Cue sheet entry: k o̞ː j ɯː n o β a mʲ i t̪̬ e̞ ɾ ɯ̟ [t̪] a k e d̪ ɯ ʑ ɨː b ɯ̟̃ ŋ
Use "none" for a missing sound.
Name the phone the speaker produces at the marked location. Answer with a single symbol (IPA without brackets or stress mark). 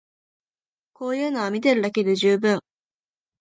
d̪